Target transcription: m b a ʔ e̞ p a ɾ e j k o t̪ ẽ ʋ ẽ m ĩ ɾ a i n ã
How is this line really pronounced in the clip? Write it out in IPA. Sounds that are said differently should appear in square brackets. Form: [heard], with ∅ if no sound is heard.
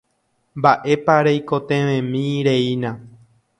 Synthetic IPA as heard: m b a ʔ e̞ p a ɾ e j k o t̪ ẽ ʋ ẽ m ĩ ɾ [e] i n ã